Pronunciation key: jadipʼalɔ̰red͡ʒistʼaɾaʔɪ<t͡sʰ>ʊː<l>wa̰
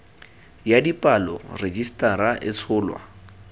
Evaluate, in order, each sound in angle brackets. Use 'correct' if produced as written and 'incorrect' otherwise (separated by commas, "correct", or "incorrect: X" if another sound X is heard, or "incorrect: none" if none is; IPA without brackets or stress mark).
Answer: correct, correct